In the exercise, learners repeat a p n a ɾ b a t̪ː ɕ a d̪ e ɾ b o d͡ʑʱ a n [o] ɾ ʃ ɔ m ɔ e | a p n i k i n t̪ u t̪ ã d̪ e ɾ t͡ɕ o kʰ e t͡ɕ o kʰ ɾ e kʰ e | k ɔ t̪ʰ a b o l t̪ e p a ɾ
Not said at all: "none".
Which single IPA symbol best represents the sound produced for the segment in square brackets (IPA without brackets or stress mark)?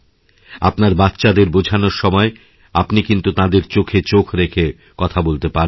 o